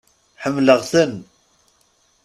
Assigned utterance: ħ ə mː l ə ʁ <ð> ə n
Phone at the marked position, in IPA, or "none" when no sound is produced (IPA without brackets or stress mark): θ